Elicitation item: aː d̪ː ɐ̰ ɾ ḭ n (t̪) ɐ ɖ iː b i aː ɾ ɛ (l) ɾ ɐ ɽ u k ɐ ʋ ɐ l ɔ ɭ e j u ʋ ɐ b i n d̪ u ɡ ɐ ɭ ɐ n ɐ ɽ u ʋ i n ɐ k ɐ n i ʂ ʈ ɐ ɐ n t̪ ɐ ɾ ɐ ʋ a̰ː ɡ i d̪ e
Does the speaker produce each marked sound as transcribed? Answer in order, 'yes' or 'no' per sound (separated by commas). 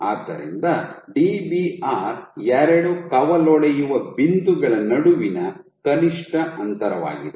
no, no